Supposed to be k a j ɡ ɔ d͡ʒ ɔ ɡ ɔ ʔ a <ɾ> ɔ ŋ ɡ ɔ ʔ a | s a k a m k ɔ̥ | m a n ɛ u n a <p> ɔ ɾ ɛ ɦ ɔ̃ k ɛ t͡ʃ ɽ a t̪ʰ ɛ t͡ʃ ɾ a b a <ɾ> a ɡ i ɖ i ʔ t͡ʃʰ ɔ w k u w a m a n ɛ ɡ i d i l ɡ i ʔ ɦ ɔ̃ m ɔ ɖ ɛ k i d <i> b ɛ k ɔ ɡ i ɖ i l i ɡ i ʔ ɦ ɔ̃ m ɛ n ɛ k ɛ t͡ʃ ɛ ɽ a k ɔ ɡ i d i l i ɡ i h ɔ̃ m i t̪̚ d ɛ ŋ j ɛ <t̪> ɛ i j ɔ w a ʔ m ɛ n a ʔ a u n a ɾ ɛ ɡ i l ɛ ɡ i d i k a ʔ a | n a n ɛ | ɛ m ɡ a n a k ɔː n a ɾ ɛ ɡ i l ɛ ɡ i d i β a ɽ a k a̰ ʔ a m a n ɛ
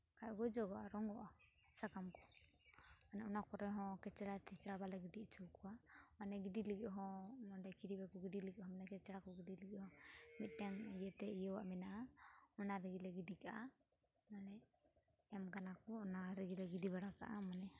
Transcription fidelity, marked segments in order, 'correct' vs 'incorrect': correct, incorrect: k, incorrect: l, correct, correct

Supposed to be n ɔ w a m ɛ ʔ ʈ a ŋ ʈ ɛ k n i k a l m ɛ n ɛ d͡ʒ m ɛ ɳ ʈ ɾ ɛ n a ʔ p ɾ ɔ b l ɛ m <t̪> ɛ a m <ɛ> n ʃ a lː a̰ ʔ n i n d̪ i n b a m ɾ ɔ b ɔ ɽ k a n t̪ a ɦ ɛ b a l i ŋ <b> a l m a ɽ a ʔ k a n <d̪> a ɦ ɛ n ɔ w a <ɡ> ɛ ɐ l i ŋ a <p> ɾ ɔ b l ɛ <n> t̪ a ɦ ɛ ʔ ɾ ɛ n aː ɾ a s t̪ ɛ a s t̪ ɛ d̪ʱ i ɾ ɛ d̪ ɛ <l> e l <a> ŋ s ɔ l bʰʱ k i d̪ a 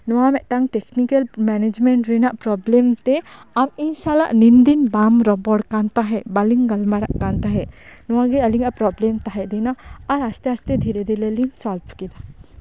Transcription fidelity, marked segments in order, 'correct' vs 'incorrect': correct, incorrect: i, incorrect: ɡ, incorrect: t̪, correct, correct, incorrect: m, correct, incorrect: i

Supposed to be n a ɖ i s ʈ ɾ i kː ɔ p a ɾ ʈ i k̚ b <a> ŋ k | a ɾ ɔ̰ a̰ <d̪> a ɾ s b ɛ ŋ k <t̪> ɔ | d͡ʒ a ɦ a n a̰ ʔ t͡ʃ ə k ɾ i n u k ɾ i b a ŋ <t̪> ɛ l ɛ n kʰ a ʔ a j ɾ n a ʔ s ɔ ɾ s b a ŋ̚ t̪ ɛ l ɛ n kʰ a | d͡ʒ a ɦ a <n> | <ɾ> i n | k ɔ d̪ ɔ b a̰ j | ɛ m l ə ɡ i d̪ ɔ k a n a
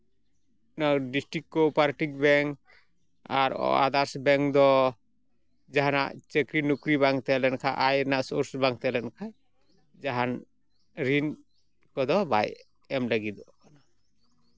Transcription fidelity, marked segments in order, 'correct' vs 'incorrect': incorrect: ɛ, correct, incorrect: d̪, correct, correct, correct

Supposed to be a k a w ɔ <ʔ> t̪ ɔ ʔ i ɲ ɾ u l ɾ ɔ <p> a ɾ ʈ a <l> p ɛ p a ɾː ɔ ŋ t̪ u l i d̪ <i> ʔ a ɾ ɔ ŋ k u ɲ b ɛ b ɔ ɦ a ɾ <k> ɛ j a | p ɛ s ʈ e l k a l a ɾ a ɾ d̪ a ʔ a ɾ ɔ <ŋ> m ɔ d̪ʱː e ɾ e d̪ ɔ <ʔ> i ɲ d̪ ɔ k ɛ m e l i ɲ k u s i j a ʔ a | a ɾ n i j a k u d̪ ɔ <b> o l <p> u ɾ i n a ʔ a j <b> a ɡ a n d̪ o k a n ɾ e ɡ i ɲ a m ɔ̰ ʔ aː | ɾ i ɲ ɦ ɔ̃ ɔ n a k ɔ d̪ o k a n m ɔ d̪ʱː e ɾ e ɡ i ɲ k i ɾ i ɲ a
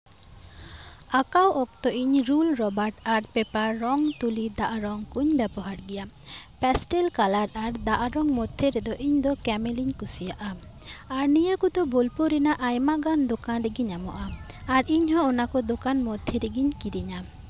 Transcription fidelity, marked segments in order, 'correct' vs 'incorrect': incorrect: k, incorrect: b, incorrect: ɾ, incorrect: a, incorrect: ɡ, correct, correct, correct, correct, incorrect: m

